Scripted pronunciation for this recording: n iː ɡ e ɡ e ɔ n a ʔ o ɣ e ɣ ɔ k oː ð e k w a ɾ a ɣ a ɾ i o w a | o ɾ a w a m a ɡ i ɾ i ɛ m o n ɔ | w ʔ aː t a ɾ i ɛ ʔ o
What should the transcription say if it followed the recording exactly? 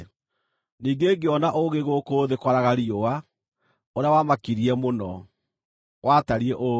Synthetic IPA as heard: n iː ɡ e ɡ e ɔ n a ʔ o ɣ e ɣ o k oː ð e k w a ɾ a ɣ a ɾ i o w a | o ɾ a w a m a k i ɾ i ɛ m o n ɔ | w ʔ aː t a ɾ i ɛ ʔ o